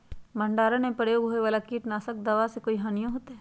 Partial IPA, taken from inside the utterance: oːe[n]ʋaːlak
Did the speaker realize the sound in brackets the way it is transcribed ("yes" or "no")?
no